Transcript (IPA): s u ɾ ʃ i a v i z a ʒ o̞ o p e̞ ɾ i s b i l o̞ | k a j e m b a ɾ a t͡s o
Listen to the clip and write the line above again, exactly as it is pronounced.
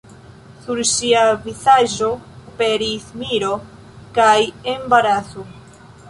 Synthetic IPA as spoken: s u ɾ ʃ i a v i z a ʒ o̞ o p e̞ ɾ i s m i ɾ o̞ | k a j e m b a ɾ a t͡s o